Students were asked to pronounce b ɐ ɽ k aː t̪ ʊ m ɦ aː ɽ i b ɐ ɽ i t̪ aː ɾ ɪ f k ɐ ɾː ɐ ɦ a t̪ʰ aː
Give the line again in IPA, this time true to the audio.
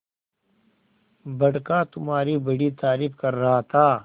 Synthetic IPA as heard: b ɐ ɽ k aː t̪ ʊ m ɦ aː ɾ i b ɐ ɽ i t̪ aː ɾ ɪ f k ɐ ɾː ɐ ɦ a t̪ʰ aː